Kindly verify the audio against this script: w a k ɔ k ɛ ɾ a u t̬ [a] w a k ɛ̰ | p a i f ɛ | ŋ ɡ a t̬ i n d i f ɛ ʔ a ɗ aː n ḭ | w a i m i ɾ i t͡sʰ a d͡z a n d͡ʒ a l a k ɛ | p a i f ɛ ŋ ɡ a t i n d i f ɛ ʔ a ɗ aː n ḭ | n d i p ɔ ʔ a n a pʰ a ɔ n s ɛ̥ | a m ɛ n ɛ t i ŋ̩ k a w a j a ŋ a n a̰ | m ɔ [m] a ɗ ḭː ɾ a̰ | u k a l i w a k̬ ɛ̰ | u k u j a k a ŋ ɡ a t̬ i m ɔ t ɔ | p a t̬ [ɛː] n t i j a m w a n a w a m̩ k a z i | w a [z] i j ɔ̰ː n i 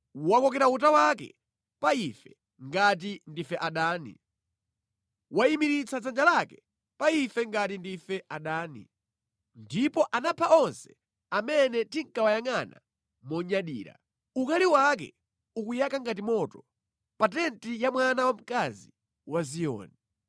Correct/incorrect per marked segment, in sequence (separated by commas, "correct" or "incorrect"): correct, incorrect, incorrect, correct